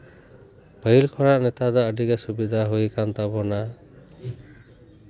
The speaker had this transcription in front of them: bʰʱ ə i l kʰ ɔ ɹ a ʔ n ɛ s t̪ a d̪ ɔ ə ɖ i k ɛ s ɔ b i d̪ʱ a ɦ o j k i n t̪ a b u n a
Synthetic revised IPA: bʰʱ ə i l kʰ ɔ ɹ a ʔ n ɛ t̪ a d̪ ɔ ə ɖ i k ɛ s u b i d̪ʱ a ɦ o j k a n t̪ a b ɔ n a